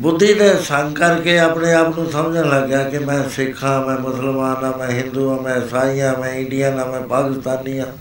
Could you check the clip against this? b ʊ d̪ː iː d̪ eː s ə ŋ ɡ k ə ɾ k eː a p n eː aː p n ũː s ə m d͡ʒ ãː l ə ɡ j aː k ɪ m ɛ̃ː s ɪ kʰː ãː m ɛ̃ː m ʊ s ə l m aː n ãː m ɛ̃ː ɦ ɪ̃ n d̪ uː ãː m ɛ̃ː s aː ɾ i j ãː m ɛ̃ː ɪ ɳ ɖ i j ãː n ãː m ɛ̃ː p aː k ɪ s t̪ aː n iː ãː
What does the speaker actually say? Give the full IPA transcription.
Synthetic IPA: b ʊ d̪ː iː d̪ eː s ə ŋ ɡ k ə ɾ k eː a p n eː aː p n ũː s ə m d͡ʒ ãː l ə ɡ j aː k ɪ m ɛ̃ː s ɪ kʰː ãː m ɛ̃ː m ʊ s ə l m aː n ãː m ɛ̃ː ɦ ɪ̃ n d̪ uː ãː m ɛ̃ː s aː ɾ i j ãː m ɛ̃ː ɪ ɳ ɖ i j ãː n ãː m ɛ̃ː p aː k ɪ s t̪ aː n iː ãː